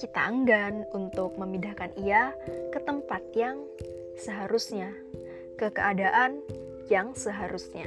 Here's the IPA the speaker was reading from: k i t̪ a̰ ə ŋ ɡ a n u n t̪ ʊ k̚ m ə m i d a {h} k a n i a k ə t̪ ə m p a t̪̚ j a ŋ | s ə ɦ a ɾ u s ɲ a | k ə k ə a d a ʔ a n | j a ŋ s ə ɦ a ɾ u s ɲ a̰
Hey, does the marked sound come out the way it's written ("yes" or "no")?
yes